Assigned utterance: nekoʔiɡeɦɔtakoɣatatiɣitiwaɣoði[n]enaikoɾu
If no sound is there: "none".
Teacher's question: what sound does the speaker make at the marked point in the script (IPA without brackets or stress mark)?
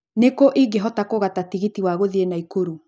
none